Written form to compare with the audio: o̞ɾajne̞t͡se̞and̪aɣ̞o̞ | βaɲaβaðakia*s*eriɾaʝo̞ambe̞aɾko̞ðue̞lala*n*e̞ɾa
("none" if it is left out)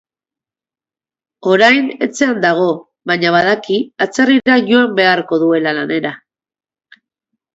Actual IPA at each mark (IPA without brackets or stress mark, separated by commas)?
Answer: t͡s, n